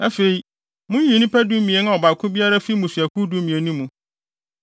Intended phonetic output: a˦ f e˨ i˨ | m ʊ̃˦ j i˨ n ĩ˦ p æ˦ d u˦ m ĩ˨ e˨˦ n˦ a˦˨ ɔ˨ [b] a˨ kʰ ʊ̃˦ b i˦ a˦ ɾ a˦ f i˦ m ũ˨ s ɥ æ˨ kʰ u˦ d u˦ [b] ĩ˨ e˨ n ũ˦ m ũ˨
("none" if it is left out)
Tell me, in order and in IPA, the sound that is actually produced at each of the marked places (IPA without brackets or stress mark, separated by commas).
b, m